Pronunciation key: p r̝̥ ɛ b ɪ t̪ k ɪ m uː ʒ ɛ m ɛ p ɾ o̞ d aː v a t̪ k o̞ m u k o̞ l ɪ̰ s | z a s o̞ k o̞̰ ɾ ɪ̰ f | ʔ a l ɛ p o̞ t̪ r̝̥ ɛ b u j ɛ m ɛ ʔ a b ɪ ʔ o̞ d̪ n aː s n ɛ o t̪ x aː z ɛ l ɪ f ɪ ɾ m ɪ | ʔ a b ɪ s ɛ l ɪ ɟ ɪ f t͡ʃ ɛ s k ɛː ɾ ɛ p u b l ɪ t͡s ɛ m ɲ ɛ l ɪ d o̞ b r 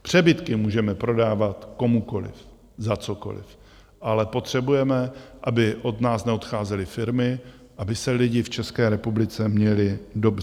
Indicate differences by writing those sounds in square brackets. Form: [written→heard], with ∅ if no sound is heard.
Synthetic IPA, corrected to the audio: p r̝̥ ɛ b ɪ t̪ k ɪ m uː ʒ ɛ m ɛ p ɾ o̞ d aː v a t̪ k o̞ m u k o̞ l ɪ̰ [s→f] | z a [s→t͡s] o̞ k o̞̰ [ɾ→l] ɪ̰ f | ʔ a l ɛ p o̞ t̪ r̝̥ ɛ b u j ɛ m ɛ ʔ a b ɪ ʔ o̞ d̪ n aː s n ɛ o t̪ x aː z ɛ l ɪ f ɪ ɾ m ɪ | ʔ a b ɪ s ɛ l ɪ ɟ ɪ f t͡ʃ ɛ s k ɛː ɾ ɛ p u b l ɪ t͡s ɛ m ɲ ɛ l ɪ d o̞ b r